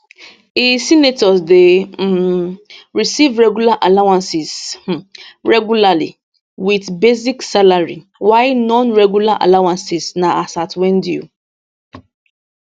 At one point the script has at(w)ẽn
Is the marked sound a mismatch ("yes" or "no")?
no